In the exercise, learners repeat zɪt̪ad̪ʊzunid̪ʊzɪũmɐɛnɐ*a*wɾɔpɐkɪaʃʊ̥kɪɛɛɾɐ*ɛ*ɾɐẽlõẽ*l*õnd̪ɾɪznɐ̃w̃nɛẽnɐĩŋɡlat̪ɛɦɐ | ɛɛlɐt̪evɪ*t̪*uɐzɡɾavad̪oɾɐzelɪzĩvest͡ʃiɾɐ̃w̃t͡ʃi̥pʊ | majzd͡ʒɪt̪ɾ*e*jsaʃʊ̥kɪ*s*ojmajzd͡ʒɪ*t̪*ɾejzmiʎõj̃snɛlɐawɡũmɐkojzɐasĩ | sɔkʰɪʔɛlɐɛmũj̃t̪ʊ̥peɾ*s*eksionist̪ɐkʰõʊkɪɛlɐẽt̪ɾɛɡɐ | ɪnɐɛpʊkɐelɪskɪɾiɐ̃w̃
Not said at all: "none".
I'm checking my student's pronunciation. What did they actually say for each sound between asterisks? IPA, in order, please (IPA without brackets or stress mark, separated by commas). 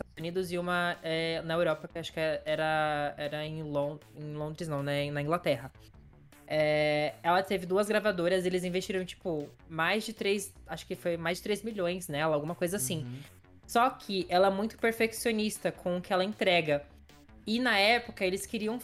e, ɛ, l, d̪, e, f, t̪, f